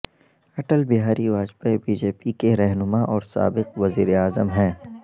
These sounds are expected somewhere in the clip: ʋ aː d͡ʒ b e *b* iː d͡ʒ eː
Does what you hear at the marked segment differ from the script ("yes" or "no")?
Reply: no